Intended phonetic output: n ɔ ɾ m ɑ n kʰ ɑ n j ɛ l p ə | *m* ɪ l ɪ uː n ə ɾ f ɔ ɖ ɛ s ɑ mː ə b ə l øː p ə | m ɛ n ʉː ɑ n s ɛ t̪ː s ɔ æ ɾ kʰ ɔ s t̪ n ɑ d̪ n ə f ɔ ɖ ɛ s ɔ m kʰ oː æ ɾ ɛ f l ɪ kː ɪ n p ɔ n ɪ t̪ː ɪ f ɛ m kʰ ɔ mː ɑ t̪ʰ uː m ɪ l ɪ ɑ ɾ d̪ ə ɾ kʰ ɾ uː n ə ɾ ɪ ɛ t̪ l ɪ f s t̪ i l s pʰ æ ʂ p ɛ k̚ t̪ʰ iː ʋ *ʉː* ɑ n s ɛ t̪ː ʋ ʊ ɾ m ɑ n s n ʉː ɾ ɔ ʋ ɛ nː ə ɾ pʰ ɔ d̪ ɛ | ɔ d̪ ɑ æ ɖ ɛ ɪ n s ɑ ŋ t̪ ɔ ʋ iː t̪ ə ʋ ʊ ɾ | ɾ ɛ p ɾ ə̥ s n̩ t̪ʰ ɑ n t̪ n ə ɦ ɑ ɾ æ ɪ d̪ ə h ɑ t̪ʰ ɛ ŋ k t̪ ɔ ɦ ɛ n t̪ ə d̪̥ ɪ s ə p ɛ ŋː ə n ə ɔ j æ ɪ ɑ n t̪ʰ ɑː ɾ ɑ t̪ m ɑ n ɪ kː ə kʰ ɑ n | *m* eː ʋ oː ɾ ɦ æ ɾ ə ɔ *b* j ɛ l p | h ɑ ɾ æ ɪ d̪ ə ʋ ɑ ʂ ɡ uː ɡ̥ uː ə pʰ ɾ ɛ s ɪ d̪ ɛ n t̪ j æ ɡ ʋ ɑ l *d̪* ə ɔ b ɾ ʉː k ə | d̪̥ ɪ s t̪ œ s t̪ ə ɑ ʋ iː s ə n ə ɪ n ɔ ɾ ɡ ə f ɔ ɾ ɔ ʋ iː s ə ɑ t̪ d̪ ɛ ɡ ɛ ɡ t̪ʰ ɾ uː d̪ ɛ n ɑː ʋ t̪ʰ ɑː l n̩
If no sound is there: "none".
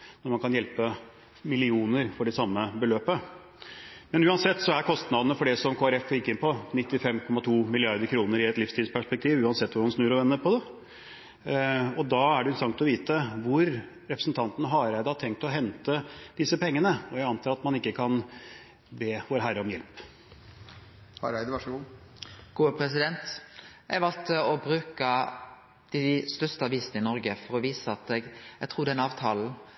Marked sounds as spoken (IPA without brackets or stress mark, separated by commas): m, ʉː, b, m, t̪